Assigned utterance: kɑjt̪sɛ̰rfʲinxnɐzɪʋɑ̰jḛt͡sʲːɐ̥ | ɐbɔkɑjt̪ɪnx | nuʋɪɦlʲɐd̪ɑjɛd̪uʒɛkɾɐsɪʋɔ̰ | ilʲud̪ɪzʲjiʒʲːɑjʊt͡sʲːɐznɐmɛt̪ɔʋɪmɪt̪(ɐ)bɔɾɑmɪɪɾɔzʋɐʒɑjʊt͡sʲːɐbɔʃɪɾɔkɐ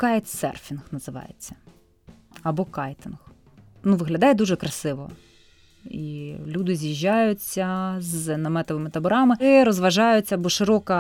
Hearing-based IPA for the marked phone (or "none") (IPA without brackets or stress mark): ɐ